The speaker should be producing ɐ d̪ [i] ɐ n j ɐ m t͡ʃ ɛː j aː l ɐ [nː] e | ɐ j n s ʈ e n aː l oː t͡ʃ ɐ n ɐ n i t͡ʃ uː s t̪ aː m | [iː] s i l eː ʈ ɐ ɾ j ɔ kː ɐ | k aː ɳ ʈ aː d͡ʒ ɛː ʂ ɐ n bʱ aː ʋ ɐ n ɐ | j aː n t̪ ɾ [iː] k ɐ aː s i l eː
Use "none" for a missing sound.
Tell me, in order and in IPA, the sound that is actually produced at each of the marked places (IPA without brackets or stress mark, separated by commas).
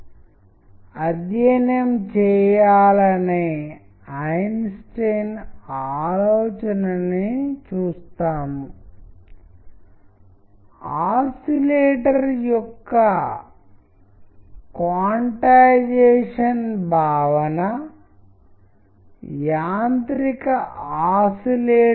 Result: j, n, aː, i